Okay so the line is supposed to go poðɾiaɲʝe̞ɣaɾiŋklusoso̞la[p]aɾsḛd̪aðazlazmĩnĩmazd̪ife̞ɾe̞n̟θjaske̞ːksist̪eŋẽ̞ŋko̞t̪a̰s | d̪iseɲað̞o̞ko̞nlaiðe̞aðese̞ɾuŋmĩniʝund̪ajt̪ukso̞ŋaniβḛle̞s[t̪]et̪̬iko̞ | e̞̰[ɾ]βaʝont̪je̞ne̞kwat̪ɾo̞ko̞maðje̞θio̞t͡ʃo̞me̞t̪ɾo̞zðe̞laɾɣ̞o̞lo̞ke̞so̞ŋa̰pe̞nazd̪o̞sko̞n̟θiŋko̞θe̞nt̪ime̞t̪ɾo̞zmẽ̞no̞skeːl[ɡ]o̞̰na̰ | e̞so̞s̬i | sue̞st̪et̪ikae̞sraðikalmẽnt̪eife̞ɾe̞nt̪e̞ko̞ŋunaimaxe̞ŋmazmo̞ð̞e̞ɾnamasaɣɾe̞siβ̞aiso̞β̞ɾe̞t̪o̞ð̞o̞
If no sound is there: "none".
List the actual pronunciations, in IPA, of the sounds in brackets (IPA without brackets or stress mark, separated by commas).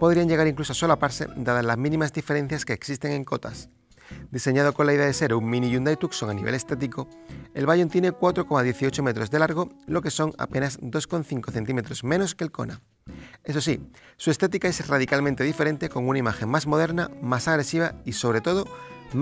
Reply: p, t̪, l, k